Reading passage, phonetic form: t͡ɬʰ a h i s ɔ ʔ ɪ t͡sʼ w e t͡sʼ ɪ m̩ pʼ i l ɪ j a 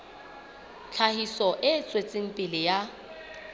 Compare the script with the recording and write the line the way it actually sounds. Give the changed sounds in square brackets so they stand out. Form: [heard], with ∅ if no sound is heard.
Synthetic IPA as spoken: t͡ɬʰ a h i s ɔ ʔ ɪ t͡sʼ w e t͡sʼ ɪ [ŋ̩] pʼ [ɪ] l ɪ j a

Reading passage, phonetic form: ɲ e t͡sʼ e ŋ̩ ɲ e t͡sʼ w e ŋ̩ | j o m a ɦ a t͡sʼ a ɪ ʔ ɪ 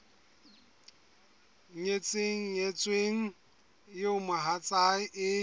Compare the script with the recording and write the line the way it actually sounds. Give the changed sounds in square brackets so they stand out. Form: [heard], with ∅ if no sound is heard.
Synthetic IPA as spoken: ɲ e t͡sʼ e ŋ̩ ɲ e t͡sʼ w e ŋ̩ | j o m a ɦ a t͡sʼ a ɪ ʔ ɪ

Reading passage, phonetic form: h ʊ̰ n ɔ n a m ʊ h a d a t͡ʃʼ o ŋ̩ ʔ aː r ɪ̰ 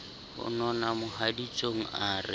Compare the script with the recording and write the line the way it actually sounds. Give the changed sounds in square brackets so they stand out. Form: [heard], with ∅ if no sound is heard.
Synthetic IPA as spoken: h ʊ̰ n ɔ n a m ʊ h a d [i] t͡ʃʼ o ŋ̩ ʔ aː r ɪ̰

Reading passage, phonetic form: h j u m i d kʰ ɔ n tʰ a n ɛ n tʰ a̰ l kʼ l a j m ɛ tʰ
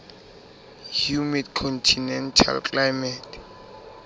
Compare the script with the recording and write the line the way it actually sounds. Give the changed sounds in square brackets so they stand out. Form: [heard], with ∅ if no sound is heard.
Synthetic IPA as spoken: h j u m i d kʰ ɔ n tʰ [i] n ɛ n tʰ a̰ l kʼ l a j m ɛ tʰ

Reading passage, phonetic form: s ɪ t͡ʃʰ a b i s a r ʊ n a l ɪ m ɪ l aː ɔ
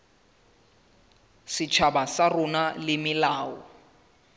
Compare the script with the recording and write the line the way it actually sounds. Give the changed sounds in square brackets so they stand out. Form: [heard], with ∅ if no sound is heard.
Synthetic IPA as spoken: s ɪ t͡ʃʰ a b [a] s a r ʊ n a l ɪ m ɪ l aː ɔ

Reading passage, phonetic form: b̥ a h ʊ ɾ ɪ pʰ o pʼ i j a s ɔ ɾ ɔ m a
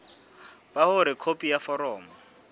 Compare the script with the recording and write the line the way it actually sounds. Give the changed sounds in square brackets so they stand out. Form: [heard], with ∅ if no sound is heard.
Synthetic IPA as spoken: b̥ a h ʊ ɾ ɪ [kʰ] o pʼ i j a [f] ɔ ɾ [ɔː] m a

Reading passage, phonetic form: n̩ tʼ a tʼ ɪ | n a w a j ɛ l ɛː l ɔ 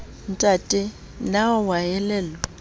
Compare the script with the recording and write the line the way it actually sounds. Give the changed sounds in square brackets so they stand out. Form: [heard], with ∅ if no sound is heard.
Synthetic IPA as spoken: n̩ tʼ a tʼ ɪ | n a w a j ɛ l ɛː l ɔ

